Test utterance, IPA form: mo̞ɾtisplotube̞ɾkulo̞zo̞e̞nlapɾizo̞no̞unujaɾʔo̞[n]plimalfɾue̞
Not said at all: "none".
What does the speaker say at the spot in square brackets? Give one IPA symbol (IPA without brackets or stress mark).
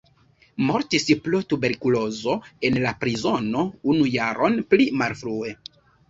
n